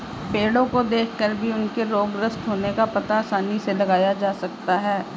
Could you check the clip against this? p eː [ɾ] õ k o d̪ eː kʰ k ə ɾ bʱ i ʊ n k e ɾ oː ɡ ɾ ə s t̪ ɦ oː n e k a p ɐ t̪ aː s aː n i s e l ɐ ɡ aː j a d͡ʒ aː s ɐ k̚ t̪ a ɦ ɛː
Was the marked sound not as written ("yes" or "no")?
yes